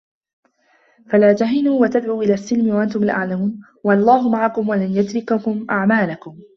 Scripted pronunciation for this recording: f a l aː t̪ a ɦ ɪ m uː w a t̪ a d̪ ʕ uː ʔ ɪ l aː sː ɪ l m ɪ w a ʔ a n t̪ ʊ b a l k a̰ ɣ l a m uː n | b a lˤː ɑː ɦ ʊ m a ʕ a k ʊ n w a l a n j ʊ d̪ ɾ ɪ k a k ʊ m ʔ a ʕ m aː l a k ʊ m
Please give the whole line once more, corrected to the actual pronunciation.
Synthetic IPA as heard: f a l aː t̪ a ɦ ɪ n uː w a t̪ a d̪ ʕ uː ʔ ɪ l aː sː ɪ l m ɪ w a ʔ a n t̪ ʊ m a l ʔ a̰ ʕ l a m uː n | w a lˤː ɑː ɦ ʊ m a ʕ a k ʊ m w a l a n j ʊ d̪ ɾ ɪ k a k ʊ m ʔ a ʕ m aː l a k ʊ m